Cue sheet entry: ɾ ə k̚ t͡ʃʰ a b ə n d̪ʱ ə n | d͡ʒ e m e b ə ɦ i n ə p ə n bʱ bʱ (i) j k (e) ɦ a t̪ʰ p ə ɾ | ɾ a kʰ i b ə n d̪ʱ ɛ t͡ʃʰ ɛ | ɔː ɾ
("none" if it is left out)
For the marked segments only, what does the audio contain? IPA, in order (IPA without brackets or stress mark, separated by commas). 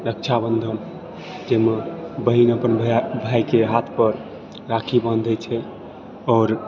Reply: a, e